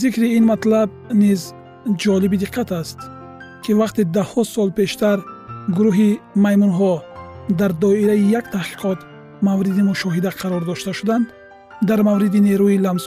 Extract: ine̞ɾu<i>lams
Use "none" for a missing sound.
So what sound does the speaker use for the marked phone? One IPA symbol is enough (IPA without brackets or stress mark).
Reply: i